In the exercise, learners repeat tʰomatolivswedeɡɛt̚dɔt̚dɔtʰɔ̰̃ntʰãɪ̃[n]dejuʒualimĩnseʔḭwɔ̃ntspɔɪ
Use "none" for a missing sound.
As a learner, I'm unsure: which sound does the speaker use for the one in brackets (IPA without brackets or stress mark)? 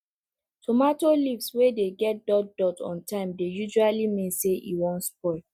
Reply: m